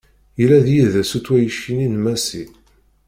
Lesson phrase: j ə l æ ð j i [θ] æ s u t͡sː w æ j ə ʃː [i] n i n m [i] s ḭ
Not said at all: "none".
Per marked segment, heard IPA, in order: ð, i, æ

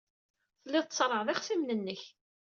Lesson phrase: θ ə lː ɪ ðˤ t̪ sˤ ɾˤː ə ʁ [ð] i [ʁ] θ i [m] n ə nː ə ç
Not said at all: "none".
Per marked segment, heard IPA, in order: ð, χ, m

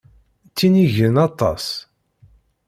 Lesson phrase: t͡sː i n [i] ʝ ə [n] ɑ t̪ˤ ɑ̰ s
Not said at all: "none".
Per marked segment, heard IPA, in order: i, n

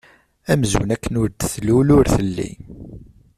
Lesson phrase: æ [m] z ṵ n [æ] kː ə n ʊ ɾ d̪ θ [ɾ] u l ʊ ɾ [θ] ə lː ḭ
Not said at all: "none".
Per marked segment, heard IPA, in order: m, æ, l, θ

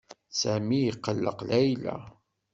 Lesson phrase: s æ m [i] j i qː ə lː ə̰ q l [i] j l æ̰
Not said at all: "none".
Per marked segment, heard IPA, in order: i, æ

